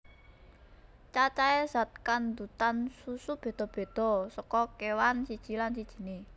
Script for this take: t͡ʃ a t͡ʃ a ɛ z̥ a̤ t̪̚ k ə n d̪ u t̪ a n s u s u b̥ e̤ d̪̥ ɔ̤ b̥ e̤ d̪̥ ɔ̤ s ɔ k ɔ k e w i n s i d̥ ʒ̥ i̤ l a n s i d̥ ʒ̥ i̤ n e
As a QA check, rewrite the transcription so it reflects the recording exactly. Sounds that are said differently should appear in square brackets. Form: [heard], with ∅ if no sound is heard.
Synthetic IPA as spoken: t͡ʃ a t͡ʃ a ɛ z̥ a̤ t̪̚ k [a] n d̪ u t̪ a n s u s u b̥ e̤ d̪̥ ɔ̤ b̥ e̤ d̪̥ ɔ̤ s ɔ k ɔ k e w [a] n s i d̥ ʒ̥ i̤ l a n s i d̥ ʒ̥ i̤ n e